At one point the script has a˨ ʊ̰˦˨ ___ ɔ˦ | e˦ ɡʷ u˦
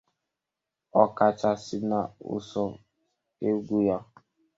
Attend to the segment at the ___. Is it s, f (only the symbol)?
s